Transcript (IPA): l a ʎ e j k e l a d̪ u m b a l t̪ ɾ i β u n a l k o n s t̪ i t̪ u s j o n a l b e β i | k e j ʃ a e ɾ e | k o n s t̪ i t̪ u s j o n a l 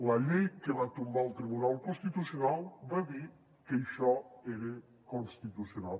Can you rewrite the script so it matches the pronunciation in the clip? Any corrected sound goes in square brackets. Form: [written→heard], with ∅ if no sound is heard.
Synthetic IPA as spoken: l a ʎ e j k e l a [d̪→t̪] u m b a l t̪ ɾ i β u n a l k o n s t̪ i t̪ u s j o n a l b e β i | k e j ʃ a e ɾ e | k o n s t̪ i t̪ u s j o n a l